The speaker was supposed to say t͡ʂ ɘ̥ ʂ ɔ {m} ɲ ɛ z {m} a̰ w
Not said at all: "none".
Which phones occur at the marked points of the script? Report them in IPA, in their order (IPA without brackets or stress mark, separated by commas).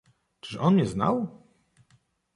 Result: n, n